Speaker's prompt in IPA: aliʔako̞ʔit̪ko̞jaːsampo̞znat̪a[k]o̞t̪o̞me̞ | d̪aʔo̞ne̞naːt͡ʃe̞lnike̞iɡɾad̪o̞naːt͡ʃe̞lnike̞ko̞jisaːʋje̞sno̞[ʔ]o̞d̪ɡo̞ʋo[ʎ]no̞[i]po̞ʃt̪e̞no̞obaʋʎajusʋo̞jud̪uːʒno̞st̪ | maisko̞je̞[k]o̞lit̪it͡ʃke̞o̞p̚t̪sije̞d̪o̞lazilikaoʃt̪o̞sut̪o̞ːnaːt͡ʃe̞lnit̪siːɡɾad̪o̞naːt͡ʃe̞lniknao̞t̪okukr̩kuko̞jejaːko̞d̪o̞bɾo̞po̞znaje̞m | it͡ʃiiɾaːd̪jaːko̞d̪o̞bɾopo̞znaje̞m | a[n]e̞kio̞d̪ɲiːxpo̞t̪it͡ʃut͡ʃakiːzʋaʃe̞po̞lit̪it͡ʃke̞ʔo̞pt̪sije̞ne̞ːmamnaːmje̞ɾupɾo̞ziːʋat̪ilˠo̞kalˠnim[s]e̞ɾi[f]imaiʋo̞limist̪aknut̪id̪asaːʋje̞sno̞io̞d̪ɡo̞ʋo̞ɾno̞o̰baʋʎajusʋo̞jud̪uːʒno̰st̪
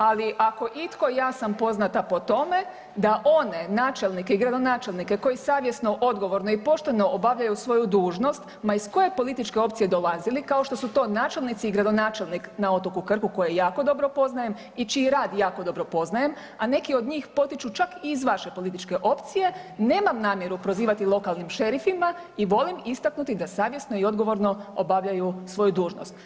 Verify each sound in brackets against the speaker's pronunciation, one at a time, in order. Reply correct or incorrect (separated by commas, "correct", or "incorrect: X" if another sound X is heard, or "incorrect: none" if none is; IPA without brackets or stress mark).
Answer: incorrect: p, correct, incorrect: ɾ, correct, incorrect: p, correct, incorrect: ʃ, correct